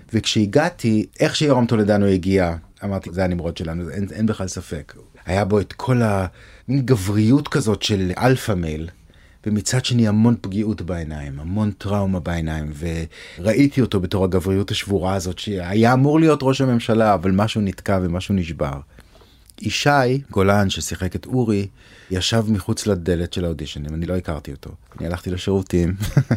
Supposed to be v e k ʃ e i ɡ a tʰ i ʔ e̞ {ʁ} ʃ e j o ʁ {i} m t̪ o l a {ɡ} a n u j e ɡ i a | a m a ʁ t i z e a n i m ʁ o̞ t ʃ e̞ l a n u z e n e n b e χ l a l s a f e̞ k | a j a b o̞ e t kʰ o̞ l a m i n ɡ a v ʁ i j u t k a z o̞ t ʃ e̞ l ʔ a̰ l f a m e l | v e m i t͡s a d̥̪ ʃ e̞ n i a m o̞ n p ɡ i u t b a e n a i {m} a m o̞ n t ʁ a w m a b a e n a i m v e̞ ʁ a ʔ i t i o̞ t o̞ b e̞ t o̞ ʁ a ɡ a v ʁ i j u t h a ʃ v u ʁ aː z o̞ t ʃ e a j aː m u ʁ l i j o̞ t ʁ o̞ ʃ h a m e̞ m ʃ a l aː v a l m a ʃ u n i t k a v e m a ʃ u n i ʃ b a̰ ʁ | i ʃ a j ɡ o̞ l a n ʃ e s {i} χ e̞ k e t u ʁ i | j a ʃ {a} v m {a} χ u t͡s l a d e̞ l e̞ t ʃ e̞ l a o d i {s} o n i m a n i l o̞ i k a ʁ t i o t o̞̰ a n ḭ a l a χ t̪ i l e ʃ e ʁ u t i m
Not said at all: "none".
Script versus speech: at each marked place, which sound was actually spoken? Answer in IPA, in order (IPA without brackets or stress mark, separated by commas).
χ, a, d, m, i, a, i, ʃ